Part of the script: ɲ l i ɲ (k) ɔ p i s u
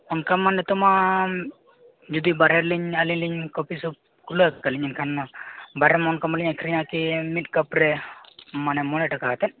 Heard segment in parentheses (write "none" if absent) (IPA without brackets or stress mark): k